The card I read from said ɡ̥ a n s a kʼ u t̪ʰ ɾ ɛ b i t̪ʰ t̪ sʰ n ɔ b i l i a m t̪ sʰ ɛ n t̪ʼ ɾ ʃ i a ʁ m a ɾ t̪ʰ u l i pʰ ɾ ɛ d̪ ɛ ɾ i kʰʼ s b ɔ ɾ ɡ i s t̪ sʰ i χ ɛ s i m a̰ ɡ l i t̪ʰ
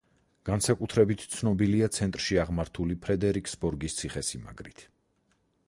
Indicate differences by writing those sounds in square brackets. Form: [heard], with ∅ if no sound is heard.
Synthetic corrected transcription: ɡ̥ a n s a kʼ u t̪ʰ ɾ ɛ b i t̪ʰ t̪ sʰ n ɔ b i l i a [∅] t̪ sʰ ɛ n t̪ʼ ɾ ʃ i a ʁ m a ɾ t̪ʰ u l i pʰ ɾ ɛ d̪ ɛ ɾ i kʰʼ s b ɔ ɾ ɡ i s t̪ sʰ i χ ɛ s i m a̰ ɡ [ɾ] i t̪ʰ

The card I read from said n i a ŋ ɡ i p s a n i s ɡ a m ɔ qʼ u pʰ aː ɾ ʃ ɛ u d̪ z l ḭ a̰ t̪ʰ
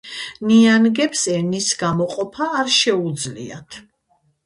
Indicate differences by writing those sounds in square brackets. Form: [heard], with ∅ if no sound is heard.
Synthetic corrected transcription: n i a [n] ɡ [ɛ] p s [ɛ] n i s ɡ a m ɔ qʼ [ɔ] pʰ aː ɾ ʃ ɛ u d̪ z l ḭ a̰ t̪ʰ

